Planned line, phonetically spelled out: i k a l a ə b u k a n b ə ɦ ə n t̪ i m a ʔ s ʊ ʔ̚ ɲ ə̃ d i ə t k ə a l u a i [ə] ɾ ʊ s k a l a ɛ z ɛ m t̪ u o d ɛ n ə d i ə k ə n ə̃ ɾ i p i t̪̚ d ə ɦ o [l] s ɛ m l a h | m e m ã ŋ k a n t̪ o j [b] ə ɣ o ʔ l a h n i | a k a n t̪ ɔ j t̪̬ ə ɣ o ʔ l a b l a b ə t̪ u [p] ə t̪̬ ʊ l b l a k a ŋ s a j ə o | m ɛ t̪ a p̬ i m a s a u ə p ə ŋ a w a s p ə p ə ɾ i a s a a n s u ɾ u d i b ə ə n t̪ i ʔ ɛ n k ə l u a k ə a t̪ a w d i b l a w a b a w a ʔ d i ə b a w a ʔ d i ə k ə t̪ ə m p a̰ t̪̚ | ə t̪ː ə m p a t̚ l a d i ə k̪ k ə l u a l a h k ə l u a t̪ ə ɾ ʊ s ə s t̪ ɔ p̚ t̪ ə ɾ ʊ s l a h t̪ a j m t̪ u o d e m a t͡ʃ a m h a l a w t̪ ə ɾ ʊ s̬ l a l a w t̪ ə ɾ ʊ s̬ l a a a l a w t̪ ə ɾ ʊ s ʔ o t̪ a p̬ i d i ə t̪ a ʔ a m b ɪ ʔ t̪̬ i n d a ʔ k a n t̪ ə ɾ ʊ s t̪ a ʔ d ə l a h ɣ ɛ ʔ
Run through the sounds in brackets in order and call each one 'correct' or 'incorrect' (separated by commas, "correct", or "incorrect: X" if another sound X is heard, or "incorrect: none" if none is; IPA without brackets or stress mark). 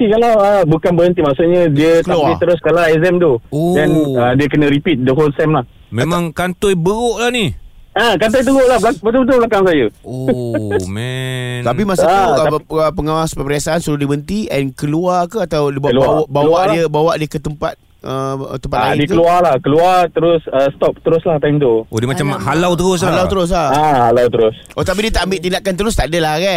correct, correct, correct, incorrect: b